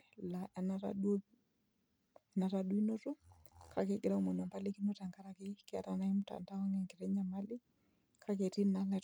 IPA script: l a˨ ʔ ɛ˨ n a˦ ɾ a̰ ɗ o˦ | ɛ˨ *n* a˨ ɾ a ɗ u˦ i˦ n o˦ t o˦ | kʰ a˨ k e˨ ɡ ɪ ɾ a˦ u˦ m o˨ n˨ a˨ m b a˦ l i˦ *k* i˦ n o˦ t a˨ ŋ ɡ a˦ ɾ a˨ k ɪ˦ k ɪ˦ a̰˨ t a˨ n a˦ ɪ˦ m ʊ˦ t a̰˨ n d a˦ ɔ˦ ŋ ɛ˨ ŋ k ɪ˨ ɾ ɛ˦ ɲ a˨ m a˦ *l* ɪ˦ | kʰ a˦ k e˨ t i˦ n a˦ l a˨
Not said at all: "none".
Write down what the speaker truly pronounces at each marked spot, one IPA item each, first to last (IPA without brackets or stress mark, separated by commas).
n, k, l